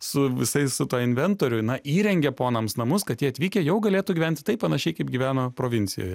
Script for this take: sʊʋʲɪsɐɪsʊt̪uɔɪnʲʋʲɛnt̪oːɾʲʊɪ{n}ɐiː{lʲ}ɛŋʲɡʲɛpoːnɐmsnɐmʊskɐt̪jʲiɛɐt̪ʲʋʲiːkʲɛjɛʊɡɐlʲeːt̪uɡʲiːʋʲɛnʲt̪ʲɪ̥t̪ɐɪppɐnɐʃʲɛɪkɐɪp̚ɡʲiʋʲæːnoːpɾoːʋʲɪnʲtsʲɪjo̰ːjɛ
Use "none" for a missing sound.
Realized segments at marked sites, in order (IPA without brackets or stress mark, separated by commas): n, ɾʲ